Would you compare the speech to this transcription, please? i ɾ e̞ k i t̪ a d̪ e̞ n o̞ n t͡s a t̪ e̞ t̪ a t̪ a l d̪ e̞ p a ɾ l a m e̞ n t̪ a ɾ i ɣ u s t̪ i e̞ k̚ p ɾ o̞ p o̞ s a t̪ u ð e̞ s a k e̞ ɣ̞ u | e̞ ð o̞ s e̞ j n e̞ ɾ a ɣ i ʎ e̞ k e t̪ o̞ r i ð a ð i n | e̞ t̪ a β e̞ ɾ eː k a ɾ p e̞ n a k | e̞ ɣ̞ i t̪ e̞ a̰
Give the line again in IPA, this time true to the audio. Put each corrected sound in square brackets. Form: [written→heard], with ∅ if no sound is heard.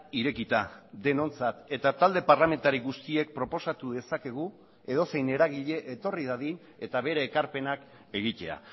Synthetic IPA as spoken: i ɾ e̞ k i t̪ a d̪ e̞ n o̞ n t͡s a t̪ e̞ t̪ a t̪ a l d̪ e̞ p a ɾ l a m e̞ n t̪ a ɾ i ɣ u s t̪ i e̞ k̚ p ɾ o̞ p o̞ s a t̪ u ð e̞ s a k e̞ ɣ̞ u | e̞ ð o̞ s e̞ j n e̞ ɾ a ɣ i ʎ e̞ [k→ʔ] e t̪ o̞ r i ð a ð i n | e̞ t̪ a β e̞ ɾ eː k a ɾ p e̞ n a k | e̞ ɣ̞ i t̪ e̞ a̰